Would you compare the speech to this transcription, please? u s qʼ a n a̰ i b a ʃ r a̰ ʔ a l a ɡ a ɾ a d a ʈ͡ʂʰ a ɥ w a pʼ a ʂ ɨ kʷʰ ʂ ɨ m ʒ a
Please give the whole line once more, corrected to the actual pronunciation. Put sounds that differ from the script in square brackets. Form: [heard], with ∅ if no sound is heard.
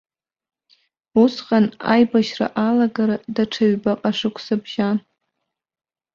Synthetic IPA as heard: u s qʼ a n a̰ [j] b a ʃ r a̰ ʔ a l a ɡ a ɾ a d a ʈ͡ʂʰ a ɥ [b] a [qʼ] a ʂ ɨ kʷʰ [s] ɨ [b] ʒ a